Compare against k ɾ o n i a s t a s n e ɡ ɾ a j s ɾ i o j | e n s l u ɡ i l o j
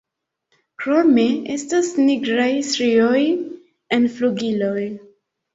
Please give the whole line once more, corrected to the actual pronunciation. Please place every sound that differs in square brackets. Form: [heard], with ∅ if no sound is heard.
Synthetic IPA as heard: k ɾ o [m] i [e] s t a s n [i] ɡ ɾ a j s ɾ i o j | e n [f] l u ɡ i l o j

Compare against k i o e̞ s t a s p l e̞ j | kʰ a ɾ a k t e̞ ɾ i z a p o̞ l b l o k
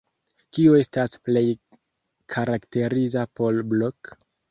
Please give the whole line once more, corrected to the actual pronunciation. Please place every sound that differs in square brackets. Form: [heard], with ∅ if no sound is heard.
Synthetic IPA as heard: k i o e̞ s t a s p l e̞ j | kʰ a ɾ a k t e̞ ɾ i z a p o̞ l b l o k

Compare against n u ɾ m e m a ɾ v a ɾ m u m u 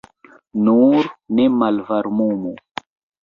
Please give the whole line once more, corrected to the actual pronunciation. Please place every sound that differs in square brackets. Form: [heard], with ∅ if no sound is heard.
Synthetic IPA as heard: n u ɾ [n] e m a [l] v a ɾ m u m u

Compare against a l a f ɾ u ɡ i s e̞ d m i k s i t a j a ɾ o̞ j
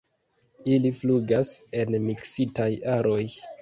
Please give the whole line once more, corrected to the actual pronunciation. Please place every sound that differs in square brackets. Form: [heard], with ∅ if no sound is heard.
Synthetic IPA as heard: [i] l [i] f [l] u ɡ [a] s e̞ [n] m i k s i t a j a ɾ o̞ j

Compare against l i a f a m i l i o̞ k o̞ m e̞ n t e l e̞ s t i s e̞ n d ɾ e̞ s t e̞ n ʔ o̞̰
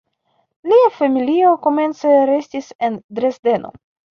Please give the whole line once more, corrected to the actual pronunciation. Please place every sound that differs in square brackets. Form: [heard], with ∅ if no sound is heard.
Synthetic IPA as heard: l i a f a m i l i o̞ k o̞ m e̞ n [t͡s] e [ɾ] e̞ s t i s e̞ n d ɾ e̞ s [d] e̞ n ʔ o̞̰

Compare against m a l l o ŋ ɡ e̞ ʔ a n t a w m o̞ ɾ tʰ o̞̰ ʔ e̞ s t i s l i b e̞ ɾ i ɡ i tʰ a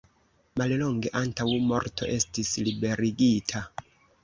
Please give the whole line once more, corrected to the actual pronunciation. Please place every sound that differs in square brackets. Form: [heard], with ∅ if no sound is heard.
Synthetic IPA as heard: m a l l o ŋ ɡ e̞ ʔ a n t a w m o̞ ɾ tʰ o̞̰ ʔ e̞ s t i s l i b e̞ ɾ i ɡ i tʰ a

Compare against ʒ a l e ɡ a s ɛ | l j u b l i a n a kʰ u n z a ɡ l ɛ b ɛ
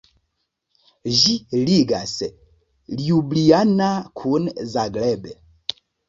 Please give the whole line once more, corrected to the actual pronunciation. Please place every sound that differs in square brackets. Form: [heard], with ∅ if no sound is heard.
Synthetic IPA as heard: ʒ [i] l [i] ɡ a s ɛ | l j u b l i a n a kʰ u n z a ɡ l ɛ b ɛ

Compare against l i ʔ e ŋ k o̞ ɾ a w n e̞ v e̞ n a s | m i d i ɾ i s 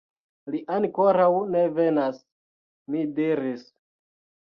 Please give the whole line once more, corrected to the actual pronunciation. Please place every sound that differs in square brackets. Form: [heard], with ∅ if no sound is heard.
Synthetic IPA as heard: l i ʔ [a] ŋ k o̞ ɾ a w n e̞ v e̞ n a s | m i d i ɾ i s

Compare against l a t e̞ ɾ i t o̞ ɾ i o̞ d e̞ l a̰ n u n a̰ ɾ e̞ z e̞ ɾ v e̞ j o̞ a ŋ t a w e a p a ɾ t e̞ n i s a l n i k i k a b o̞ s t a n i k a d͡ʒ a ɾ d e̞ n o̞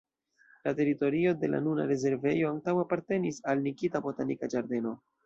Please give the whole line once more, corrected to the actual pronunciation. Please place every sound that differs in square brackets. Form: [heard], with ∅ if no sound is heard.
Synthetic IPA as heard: l a t e̞ ɾ i t o̞ ɾ i o̞ d e̞ l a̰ n u n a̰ ɾ e̞ z e̞ ɾ v e̞ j o̞ a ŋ t a w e a p a ɾ t e̞ n i s a l n i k i [t] a b o̞ [∅] t a n i k a d͡ʒ a ɾ d e̞ n o̞

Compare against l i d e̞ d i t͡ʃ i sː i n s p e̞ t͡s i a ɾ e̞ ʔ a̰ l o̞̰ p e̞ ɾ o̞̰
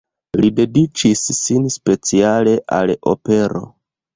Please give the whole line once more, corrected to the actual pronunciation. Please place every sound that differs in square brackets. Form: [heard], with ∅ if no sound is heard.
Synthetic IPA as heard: l i d e̞ d i t͡ʃ i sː i n s p e̞ t͡s i a [l] e̞ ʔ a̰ l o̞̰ p e̞ ɾ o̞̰

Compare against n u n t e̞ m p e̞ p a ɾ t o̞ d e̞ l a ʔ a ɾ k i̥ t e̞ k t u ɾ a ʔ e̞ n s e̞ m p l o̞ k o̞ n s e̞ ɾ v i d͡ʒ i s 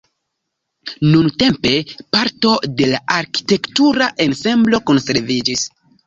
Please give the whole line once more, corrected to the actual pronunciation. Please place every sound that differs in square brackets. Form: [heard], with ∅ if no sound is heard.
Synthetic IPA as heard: n u n t e̞ m p e̞ p a ɾ t o̞ d e̞ l a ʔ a ɾ k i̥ t e̞ k t u ɾ a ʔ e̞ n s e̞ m [b] l o̞ k o̞ n s e̞ ɾ v i d͡ʒ i s

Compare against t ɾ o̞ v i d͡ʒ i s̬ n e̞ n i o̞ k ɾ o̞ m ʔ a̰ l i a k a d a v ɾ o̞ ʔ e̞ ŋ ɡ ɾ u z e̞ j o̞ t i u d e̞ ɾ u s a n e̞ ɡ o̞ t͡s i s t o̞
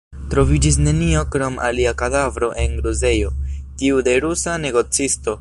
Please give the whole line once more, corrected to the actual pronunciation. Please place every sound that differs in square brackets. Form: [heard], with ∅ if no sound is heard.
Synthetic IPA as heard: t ɾ o̞ v i d͡ʒ i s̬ n e̞ n i o̞ k ɾ o̞ m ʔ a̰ l i a k a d a v ɾ o̞ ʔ e̞ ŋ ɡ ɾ u z e̞ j o̞ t i u d e̞ ɾ u s a n e̞ ɡ o̞ t͡s i s t o̞

